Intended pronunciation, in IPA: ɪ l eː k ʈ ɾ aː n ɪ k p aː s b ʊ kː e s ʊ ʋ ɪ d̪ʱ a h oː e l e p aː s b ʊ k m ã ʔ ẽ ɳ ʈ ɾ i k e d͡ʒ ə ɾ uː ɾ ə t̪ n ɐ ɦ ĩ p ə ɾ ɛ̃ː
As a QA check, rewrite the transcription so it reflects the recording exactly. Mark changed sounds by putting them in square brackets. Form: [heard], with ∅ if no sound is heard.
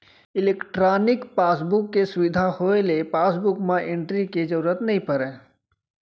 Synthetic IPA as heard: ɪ l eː k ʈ ɾ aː n ɪ k p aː s b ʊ kː e s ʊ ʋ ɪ d̪ʱ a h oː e l e p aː s b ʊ k m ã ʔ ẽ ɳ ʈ ɾ i k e d͡ʒ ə ɾ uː ɾ ə t̪ n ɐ ɦ ĩ p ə ɾ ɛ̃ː